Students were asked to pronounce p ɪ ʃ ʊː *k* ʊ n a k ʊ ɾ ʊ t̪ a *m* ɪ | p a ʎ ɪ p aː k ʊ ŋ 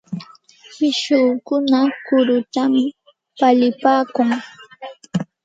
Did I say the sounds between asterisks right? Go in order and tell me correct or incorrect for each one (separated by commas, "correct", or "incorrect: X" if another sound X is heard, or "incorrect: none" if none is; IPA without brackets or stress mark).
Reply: correct, correct